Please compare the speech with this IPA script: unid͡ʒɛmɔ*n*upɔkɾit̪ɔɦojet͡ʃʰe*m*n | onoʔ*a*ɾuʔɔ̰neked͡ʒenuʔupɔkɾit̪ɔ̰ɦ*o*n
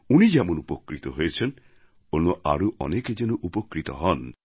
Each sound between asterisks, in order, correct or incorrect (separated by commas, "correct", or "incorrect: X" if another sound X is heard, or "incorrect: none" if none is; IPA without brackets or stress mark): correct, incorrect: none, correct, incorrect: ɔ